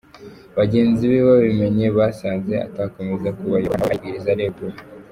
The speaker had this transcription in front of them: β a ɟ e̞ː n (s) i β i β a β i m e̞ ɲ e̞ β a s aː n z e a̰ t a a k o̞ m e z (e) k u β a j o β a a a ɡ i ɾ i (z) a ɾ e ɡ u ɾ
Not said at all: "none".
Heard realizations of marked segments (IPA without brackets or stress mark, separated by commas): z, a, z